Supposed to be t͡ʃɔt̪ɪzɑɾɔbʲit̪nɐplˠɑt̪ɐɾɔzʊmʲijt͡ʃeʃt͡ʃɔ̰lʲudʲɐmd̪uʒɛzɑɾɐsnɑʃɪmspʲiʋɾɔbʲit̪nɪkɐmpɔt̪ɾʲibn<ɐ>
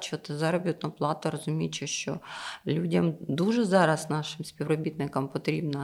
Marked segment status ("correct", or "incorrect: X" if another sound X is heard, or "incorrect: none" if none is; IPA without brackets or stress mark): correct